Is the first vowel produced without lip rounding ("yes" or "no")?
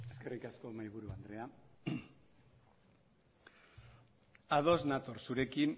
yes